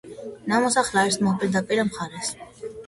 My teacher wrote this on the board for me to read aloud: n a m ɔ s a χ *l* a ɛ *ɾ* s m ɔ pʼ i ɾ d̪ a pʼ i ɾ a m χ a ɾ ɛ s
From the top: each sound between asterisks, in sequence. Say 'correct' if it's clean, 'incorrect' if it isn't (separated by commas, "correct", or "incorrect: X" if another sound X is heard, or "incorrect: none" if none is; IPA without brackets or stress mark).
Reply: correct, correct